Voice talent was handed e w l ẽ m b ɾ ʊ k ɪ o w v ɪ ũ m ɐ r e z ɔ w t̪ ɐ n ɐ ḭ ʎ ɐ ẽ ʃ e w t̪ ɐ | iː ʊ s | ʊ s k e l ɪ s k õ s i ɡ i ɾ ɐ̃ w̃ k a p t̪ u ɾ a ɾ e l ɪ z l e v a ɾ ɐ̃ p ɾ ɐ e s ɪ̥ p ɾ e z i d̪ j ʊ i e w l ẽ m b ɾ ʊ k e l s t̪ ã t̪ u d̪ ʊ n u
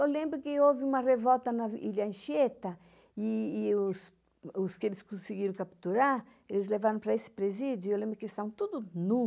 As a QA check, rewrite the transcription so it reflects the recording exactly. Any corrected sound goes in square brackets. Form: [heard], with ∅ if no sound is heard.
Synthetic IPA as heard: e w l ẽ m b ɾ ʊ k ɪ o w v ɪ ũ m ɐ r e [v] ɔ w t̪ ɐ n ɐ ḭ ʎ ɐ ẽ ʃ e [∅] t̪ ɐ | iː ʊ s | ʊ s k e l ɪ s k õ s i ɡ i ɾ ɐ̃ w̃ k a p t̪ u ɾ a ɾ e l ɪ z l e v a ɾ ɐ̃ p ɾ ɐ e s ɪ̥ p ɾ e z i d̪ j ʊ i e w l ẽ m b ɾ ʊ k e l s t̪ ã t̪ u d̪ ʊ n u

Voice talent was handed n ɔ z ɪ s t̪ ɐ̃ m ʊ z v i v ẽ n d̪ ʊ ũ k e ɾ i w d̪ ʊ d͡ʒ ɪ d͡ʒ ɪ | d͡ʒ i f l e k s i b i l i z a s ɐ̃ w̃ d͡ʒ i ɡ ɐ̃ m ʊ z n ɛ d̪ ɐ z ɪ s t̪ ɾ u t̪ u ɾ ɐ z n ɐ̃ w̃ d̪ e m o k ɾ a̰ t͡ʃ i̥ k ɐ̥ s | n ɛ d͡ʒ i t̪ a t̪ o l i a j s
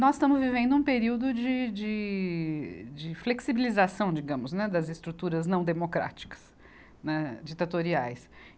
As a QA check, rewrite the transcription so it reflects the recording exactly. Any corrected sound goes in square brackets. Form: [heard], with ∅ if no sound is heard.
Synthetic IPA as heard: n ɔ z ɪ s t̪ ɐ̃ m ʊ z v i v ẽ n d̪ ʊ ũ [p] e ɾ i w d̪ ʊ d͡ʒ ɪ d͡ʒ ɪ | d͡ʒ [ɪ] f l e k s i b i l i z a s ɐ̃ w̃ d͡ʒ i ɡ ɐ̃ m ʊ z n ɛ d̪ ɐ z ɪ s t̪ ɾ u t̪ u ɾ ɐ z n ɐ̃ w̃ d̪ e m o k ɾ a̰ t͡ʃ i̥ k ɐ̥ s | n ɛ d͡ʒ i t̪ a t̪ o [ɾ] i a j s

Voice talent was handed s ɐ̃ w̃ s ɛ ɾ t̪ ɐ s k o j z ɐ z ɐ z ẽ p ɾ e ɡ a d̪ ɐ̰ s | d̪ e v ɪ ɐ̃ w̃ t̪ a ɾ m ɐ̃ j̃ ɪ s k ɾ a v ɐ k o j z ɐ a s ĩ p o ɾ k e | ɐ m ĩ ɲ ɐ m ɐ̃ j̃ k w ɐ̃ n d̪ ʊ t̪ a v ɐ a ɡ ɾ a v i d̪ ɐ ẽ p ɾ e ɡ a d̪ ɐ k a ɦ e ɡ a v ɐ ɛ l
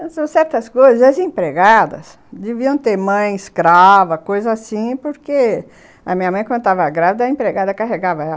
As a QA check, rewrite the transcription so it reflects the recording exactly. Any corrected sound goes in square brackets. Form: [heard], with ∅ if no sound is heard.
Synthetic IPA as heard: s ɐ̃ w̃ s ɛ ɾ t̪ ɐ s k o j z ɐ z ɐ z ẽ p ɾ e ɡ a d̪ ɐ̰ s | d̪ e v [i] ɐ̃ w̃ t̪ [e] ɾ m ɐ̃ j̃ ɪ s k ɾ a v ɐ k o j z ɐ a s ĩ p o ɾ k e | ɐ m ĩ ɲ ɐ m ɐ̃ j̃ k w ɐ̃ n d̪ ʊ t̪ a v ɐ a ɡ ɾ a v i d̪ ɐ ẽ p ɾ e ɡ a d̪ ɐ k a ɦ e ɡ a v ɐ ɛ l

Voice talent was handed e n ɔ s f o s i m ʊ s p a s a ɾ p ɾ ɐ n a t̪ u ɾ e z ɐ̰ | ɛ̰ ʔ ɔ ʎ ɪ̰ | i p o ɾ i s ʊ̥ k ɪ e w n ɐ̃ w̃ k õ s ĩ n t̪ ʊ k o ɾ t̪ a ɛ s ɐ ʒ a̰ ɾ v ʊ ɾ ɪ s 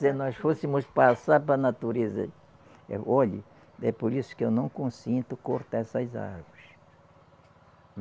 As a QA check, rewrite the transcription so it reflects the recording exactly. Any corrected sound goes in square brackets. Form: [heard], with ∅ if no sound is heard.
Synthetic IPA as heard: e n ɔ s f o s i m ʊ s p a s a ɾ p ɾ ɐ n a t̪ u ɾ e z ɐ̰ | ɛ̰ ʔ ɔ ʎ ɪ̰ | [ɛ] p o ɾ i s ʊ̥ k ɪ e w n ɐ̃ w̃ k õ s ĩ n t̪ ʊ k o ɾ t̪ a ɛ s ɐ [z] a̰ ɾ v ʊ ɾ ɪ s

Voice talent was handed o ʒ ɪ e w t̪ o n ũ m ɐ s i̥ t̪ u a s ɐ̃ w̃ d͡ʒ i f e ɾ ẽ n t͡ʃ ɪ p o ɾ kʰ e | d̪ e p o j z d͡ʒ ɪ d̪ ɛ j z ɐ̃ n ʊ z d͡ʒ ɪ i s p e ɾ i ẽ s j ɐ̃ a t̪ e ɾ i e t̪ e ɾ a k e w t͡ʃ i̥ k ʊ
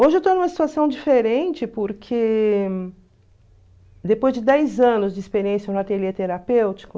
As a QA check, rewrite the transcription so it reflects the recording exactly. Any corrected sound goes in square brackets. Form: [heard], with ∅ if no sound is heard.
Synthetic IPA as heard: o ʒ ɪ e w t̪ o n ũ m ɐ s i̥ t̪ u a s ɐ̃ w̃ d͡ʒ i f e ɾ ẽ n t͡ʃ ɪ p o ɾ kʰ e | d̪ e p o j z d͡ʒ ɪ d̪ ɛ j z ɐ̃ n ʊ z d͡ʒ ɪ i s p e ɾ i ẽ s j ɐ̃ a t̪ e ɾ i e t̪ e ɾ a [p] e w t͡ʃ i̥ k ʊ

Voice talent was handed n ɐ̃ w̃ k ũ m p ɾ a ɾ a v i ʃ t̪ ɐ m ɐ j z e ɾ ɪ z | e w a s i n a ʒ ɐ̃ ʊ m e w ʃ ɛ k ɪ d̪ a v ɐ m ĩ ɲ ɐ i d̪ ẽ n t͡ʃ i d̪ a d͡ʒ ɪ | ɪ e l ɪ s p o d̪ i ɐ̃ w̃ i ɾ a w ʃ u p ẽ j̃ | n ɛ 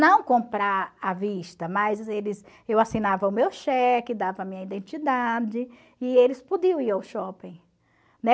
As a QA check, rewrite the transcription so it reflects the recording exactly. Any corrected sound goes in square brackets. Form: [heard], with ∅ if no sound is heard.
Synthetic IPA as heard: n ɐ̃ w̃ k [õ] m p ɾ a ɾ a v i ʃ t̪ ɐ m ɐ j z e [l] ɪ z | e w a s i n a [v] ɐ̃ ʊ m e w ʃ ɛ k ɪ d̪ a v ɐ m ĩ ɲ ɐ i d̪ ẽ n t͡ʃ i d̪ a d͡ʒ ɪ | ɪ e l ɪ s p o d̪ i ɐ̃ w̃ i ɾ a w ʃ [ɔ] p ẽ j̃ | n ɛ

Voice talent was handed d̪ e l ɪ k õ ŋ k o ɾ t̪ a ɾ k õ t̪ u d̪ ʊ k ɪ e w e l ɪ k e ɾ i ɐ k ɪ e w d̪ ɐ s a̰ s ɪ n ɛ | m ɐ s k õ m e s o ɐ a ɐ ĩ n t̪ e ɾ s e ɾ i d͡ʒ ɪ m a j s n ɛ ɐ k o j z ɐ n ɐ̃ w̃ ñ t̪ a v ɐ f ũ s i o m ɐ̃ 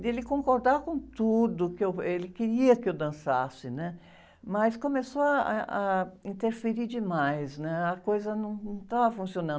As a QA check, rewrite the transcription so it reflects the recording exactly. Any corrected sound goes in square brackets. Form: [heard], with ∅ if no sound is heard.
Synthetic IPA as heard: d̪ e l ɪ k õ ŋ k o ɾ [d̪] a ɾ k õ t̪ u d̪ ʊ k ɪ e w e l ɪ k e ɾ i ɐ k ɪ e w d̪ [ɐ̃] s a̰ s ɪ n ɛ | m ɐ s k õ m e s o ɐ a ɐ ĩ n t̪ e ɾ [f] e ɾ i d͡ʒ ɪ m a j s n ɛ ɐ k o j z ɐ n ɐ̃ w̃ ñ t̪ a v ɐ f ũ s i o [n] ɐ̃

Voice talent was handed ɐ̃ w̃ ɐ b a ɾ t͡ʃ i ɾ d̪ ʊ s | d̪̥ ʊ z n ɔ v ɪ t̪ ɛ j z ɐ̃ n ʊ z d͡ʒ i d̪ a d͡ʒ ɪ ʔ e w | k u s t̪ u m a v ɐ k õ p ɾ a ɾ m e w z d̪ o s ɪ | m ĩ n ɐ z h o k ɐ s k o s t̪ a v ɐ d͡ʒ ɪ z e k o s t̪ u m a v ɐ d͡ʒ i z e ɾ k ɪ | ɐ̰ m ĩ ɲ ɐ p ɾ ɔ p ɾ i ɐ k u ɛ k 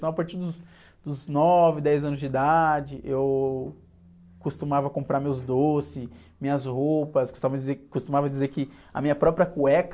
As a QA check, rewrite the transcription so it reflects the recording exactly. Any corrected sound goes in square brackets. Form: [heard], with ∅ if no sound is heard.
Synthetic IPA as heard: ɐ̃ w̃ ɐ [p] a ɾ t͡ʃ i ɾ d̪ ʊ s | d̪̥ ʊ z n ɔ v ɪ [d̪] ɛ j z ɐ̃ n ʊ z d͡ʒ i d̪ a d͡ʒ ɪ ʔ e w | k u s t̪ u m a v ɐ k õ p ɾ a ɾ m e w z d̪ o s ɪ | m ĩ [ɲ] ɐ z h o [p] ɐ s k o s t̪ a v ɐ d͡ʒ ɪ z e k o s t̪ u m a v ɐ d͡ʒ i z e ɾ k ɪ | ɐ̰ m ĩ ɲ ɐ p ɾ ɔ p ɾ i ɐ k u ɛ k

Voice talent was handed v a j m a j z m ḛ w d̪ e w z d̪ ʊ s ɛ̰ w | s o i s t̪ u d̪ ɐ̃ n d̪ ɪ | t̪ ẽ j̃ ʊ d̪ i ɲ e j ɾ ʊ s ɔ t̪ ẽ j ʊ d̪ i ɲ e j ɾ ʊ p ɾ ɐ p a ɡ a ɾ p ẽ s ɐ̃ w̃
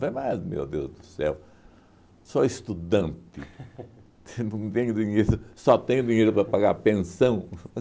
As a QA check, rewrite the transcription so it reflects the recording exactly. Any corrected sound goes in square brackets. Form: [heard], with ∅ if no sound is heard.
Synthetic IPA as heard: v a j m a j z m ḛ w d̪ e w z d̪ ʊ s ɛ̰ w | s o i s t̪ u d̪ ɐ̃ n [t̪] ɪ | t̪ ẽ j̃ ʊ d̪ i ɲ e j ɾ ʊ s ɔ t̪ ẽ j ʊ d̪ i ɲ e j ɾ ʊ p ɾ ɐ p a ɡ a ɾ p ẽ s ɐ̃ w̃

